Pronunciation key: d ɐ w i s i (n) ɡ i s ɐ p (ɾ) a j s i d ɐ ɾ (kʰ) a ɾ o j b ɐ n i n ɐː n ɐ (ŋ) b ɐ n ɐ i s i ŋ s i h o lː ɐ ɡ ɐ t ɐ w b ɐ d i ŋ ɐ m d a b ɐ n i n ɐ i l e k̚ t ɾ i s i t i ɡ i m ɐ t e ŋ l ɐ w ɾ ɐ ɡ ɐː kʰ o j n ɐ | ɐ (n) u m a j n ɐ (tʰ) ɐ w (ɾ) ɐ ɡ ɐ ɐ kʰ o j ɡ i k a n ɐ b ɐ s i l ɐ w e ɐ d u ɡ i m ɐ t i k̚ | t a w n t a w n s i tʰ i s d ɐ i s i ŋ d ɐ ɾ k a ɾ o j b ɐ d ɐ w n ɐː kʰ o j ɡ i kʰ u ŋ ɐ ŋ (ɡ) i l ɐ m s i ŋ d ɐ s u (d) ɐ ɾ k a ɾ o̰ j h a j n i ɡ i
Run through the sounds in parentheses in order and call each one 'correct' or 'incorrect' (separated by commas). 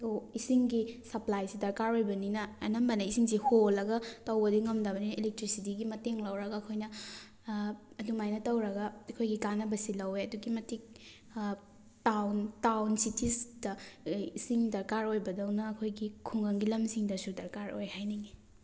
incorrect, incorrect, incorrect, incorrect, incorrect, incorrect, correct, correct, correct